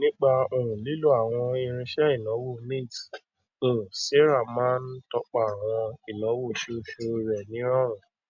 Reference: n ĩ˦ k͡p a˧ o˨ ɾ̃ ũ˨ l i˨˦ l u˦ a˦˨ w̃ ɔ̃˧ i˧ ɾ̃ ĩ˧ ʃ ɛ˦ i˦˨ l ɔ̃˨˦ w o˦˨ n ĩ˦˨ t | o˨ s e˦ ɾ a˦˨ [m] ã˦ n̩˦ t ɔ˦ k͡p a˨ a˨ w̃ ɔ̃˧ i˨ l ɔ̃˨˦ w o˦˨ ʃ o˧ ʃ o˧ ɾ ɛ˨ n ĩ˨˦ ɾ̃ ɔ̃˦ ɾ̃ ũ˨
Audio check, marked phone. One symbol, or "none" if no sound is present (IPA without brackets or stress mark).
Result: m